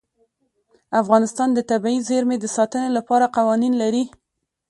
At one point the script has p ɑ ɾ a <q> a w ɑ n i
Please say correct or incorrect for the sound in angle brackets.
correct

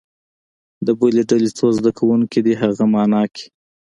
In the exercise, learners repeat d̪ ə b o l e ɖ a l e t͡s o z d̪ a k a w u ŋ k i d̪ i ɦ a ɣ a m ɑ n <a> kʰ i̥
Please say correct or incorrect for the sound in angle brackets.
incorrect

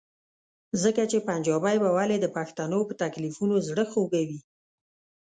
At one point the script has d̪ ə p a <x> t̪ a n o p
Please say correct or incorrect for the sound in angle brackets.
correct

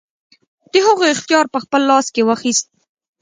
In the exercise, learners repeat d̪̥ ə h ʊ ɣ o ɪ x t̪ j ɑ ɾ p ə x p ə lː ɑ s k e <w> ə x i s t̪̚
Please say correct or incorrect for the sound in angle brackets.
correct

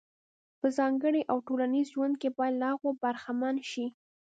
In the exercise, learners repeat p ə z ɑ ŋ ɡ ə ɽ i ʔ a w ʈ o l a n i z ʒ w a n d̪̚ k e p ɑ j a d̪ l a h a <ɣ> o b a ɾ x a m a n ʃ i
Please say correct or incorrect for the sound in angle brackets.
correct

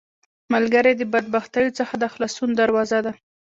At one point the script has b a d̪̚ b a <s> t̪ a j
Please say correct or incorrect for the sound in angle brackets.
incorrect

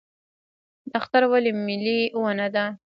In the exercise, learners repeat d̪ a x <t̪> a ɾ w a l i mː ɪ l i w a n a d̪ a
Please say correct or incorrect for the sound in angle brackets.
correct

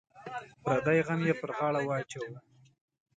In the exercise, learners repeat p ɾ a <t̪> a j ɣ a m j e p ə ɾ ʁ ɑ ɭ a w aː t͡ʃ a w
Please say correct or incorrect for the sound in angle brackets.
incorrect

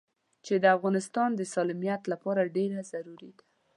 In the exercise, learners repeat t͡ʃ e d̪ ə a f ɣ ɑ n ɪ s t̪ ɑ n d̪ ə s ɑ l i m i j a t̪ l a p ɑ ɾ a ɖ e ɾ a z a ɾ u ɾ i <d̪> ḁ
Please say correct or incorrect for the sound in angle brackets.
correct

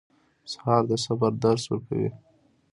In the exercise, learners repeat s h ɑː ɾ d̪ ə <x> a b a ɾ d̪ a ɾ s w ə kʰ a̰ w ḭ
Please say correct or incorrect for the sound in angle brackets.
incorrect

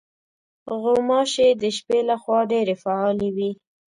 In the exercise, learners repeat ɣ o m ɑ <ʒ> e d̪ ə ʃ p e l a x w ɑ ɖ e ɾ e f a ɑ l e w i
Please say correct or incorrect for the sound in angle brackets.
incorrect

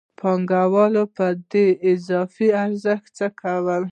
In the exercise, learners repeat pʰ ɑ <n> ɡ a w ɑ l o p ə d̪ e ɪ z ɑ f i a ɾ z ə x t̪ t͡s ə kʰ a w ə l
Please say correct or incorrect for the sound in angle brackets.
incorrect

